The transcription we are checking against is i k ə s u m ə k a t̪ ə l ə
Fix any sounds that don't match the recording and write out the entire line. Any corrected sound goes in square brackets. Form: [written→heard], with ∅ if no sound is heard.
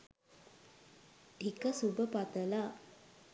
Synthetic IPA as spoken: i k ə s u [m→b] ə [k→p] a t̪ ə l [ə→a]

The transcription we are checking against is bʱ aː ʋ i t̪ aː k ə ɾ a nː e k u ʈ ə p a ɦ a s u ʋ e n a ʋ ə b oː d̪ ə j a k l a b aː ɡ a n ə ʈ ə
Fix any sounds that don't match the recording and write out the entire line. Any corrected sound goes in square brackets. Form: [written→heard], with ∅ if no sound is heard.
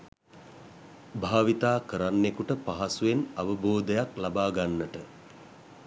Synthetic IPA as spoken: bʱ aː ʋ i t̪ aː k ə ɾ a nː e k u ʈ ə p a ɦ a s u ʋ e n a ʋ ə b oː d̪ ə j a k l a b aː ɡ a [n→nː] ə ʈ ə

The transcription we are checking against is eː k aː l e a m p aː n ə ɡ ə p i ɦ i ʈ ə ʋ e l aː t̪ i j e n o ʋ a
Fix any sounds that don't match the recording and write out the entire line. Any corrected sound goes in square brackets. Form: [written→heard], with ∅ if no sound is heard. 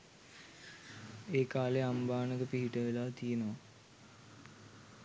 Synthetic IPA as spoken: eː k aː l e a m [p→b] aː n ə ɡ ə p i ɦ i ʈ ə ʋ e l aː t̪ i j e n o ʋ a

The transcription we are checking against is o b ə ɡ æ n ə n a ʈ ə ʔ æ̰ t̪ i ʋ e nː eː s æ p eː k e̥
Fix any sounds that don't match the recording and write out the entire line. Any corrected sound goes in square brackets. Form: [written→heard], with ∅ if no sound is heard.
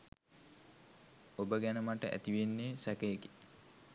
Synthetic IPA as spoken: o b ə ɡ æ n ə [n→m] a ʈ ə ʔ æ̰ t̪ i ʋ e nː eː s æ [p→k] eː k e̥

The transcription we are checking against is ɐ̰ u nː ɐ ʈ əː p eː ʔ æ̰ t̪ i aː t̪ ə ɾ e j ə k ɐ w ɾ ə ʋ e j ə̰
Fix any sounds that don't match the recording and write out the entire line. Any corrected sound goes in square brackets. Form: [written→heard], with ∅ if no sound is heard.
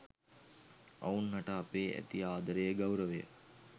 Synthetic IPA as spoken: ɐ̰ u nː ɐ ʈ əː p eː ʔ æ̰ t̪ i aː [t̪→d̪] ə ɾ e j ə [k→ɡ] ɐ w ɾ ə ʋ e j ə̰

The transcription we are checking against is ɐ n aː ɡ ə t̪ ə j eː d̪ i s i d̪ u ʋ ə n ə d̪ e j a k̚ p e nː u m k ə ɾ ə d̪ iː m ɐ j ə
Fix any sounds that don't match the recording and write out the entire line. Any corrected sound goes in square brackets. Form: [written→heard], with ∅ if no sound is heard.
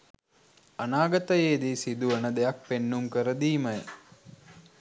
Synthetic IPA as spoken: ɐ n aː ɡ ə t̪ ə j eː d̪ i s i d̪ u ʋ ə n ə d̪ e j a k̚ p e nː u m k ə ɾ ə d̪ iː m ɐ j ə

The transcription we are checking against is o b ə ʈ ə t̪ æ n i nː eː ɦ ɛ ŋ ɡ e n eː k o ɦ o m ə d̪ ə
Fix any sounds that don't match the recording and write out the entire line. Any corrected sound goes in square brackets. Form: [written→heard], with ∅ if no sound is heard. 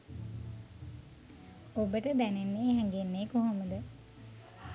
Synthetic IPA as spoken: o b ə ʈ ə [t̪→d̪] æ n [i→e] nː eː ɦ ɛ ŋ ɡ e [n→nː] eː k o ɦ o m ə d̪ ə

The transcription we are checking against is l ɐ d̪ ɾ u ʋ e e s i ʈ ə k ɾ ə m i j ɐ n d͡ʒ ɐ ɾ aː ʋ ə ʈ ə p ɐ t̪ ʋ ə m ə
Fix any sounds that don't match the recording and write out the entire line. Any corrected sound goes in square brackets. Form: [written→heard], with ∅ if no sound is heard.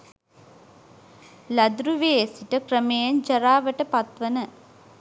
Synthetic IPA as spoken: l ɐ d̪ ɾ u ʋ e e s i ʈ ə k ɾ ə m [i→e] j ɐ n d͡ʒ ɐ ɾ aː ʋ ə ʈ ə p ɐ t̪ ʋ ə [m→n] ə

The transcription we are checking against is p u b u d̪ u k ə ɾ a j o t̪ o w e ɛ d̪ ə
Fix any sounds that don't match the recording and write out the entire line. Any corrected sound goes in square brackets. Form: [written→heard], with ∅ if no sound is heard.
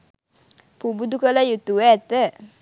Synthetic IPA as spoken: p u b u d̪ u k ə [ɾ→l] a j [o→u] t̪ [o→u] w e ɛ [d̪→t̪] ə

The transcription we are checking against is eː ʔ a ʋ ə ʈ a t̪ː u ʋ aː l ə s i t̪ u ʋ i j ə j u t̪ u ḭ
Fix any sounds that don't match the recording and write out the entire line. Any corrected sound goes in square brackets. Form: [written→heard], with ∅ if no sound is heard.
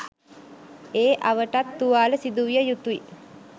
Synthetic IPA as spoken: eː ʔ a ʋ ə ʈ a t̪ː u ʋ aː l ə s i [t̪→d̪] u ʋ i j ə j u t̪ u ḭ

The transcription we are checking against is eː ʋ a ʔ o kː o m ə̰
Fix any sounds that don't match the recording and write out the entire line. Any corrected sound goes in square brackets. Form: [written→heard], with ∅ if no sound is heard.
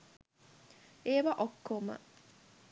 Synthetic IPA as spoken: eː ʋ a ʔ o kː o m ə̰

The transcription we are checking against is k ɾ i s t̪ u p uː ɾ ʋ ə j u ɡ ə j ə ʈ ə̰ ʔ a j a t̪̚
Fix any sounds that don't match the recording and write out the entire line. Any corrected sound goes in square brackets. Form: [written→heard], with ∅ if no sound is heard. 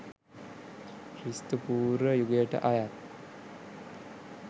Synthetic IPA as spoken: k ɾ i s t̪ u p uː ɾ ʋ ə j u ɡ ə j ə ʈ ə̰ ʔ a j a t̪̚

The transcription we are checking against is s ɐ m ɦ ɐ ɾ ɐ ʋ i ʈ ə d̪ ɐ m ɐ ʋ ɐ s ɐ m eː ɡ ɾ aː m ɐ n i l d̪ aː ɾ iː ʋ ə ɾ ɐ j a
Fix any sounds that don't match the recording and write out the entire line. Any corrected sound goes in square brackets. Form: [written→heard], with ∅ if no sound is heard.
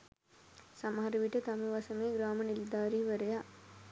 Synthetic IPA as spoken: s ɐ m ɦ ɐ ɾ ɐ ʋ i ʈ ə [d̪→t̪] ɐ m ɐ ʋ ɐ s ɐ m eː ɡ ɾ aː m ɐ n i l d̪ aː ɾ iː ʋ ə ɾ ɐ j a

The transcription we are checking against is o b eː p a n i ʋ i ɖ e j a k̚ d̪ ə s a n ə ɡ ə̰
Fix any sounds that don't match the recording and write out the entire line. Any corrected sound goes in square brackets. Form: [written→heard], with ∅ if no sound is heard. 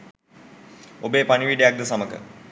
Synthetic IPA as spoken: o b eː p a n i ʋ i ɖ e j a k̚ d̪ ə s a [n→m] ə [ɡ→k] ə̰

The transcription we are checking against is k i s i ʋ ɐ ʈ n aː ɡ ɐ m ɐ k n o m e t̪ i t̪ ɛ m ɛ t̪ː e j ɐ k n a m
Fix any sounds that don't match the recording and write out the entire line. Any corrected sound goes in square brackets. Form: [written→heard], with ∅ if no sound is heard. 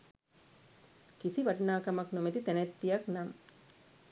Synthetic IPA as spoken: k i s i ʋ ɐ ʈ n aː [ɡ→k] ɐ m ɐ k n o m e t̪ i t̪ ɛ [m→n] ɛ t̪ː [e→i] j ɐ k n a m

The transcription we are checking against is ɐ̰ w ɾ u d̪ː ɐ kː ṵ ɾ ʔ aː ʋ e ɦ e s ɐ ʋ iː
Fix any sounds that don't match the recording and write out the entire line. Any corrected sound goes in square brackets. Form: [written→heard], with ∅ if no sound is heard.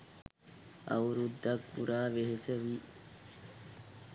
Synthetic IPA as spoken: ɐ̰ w ɾ u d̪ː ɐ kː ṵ ɾ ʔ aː ʋ e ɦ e s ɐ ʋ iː

